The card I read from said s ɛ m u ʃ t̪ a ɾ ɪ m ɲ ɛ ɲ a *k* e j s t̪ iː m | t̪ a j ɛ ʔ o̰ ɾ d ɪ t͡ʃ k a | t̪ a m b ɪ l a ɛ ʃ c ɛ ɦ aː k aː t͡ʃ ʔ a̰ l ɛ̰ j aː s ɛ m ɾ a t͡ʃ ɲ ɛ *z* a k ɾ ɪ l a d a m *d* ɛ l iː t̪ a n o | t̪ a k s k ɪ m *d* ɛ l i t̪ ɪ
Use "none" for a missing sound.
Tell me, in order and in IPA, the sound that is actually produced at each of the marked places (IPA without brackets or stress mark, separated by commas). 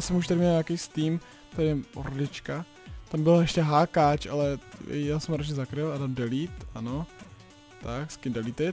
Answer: k, z, d, d